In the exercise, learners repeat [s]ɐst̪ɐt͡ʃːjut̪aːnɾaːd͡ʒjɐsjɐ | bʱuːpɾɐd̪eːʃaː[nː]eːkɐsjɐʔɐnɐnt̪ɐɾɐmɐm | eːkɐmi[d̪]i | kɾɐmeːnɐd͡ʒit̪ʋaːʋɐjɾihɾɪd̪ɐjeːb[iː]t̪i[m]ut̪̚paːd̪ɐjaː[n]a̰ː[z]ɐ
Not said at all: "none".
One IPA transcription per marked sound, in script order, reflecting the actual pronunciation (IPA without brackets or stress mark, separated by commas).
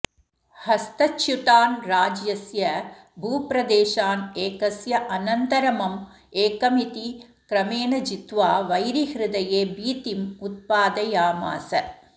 h, n, t̪, iː, m, m, s